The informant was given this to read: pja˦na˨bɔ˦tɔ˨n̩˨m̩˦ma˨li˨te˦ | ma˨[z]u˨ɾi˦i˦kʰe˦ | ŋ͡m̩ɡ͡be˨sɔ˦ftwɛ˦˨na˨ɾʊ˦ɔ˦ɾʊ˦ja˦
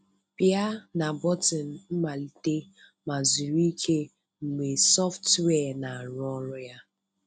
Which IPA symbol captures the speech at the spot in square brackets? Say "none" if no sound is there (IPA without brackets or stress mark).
z